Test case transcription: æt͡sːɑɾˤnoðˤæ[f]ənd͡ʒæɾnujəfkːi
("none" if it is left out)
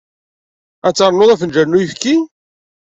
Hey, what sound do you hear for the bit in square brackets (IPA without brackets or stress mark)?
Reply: f